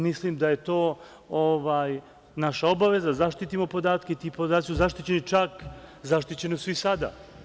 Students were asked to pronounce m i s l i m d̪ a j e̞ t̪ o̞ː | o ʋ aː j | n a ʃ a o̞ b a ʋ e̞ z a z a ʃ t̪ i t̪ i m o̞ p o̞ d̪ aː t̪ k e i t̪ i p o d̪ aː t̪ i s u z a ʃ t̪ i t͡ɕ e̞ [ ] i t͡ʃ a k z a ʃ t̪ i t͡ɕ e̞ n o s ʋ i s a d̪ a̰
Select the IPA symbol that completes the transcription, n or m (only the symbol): n